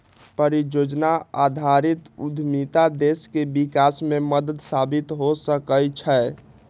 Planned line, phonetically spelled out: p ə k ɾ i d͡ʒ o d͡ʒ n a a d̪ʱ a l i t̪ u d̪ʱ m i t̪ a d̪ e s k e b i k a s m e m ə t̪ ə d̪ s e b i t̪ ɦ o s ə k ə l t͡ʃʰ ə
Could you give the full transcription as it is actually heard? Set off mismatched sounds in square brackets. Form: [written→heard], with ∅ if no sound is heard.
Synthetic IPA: p ə [k→∅] ɾ i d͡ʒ o d͡ʒ n a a d̪ʱ a [l→ɾ] i t̪ u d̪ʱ m i t̪ a d̪ e s k e b i k a s m e m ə [t̪→d̪] ə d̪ s [e→a] b i t̪ ɦ o s ə k ə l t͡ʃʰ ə